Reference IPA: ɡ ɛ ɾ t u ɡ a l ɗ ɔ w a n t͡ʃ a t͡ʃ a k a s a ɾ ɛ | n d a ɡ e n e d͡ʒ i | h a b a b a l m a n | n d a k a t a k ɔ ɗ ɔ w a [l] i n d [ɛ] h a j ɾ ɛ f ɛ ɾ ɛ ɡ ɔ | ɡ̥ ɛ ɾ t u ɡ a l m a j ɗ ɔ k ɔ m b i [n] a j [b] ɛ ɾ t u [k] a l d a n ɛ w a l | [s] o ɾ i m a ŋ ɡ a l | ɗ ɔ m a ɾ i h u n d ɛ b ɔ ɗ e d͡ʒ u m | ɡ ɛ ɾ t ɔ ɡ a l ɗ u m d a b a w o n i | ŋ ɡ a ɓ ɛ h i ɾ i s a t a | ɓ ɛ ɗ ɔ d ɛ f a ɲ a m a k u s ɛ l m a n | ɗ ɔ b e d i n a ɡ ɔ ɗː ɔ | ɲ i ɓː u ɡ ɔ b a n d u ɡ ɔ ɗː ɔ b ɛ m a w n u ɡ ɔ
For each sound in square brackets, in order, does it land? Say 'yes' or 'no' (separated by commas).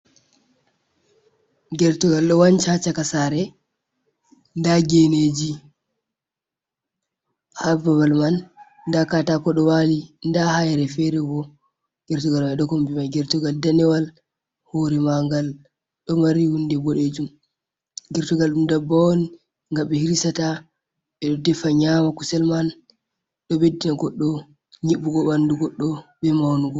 yes, no, no, no, no, no